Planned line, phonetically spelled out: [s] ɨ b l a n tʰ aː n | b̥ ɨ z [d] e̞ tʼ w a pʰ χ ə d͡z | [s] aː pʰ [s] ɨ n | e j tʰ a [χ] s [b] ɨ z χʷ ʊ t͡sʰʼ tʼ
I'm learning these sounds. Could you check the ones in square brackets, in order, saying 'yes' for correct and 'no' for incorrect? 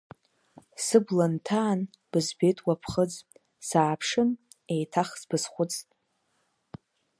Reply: yes, no, yes, no, yes, yes

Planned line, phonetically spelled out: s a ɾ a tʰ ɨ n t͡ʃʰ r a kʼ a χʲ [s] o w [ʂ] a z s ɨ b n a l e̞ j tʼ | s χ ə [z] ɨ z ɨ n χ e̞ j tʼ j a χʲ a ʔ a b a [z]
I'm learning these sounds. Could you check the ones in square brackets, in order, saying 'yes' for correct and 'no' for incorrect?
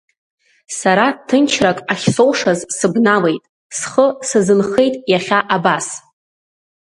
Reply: yes, yes, no, no

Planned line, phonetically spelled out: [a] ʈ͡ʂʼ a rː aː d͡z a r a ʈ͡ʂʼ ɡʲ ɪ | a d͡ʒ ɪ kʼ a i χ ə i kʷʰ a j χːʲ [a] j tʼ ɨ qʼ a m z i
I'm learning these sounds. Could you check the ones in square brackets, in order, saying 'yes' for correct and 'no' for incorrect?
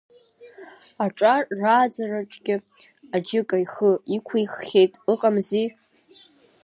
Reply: yes, no

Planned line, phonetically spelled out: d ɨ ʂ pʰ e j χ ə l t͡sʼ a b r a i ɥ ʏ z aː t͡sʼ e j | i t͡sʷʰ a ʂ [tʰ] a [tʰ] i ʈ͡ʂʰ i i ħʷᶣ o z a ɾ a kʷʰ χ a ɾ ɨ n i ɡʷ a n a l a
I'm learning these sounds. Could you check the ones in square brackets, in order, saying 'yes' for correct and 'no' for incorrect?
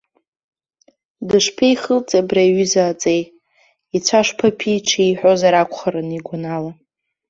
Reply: no, no

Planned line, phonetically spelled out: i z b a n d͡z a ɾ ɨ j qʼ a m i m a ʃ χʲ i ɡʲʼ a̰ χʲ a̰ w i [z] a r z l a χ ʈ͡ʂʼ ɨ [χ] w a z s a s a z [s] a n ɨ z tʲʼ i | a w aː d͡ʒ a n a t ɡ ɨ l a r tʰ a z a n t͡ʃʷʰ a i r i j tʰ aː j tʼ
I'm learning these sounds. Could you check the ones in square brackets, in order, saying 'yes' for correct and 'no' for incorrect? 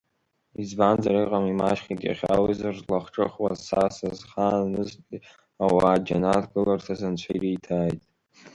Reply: yes, yes, no

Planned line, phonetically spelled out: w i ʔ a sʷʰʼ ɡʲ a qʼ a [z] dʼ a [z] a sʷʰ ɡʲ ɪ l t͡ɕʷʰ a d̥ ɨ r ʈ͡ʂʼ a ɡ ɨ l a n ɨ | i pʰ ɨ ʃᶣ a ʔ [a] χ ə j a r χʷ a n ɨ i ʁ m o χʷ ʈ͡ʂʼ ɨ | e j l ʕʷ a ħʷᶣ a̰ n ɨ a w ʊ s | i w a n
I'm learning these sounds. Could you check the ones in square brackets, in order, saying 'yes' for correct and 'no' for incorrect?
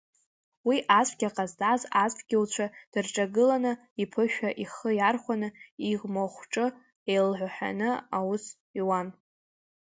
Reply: yes, yes, no

